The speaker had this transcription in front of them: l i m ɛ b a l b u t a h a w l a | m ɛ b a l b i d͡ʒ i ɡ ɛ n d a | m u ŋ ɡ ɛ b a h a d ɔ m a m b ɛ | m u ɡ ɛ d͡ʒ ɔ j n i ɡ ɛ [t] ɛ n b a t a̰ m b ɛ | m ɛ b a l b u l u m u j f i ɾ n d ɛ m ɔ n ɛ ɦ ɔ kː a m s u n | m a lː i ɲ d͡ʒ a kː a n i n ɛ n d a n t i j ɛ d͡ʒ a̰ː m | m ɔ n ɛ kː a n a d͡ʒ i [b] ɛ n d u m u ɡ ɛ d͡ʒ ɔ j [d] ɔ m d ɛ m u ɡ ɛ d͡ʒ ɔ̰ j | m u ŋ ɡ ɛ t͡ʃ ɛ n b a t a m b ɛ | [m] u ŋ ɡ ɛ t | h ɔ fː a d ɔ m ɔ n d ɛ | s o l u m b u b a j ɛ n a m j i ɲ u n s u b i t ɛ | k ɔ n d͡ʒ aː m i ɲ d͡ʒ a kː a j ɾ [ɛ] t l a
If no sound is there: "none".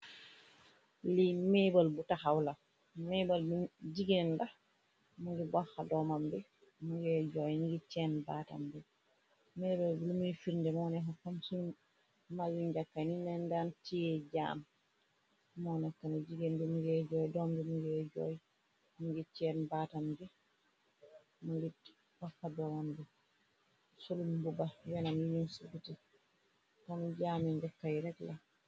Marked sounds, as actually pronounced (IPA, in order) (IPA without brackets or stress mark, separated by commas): t͡ʃ, ɡ, d, m, ɛ